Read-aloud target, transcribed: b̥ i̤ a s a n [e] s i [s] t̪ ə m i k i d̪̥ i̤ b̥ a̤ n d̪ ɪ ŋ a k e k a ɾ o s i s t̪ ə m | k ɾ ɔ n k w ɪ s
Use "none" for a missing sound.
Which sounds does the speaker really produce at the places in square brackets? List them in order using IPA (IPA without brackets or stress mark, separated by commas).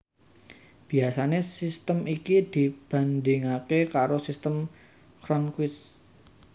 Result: e, s